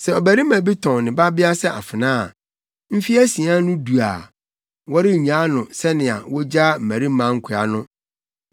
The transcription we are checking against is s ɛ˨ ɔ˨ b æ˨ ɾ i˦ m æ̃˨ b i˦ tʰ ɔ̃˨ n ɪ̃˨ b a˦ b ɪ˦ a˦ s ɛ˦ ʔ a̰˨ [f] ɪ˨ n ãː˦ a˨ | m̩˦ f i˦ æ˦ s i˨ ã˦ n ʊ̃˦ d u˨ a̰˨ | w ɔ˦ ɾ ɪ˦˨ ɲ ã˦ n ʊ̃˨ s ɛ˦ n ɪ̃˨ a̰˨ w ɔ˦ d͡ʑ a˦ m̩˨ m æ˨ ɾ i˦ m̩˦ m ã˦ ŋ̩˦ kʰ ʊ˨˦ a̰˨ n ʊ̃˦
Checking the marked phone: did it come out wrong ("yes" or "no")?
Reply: no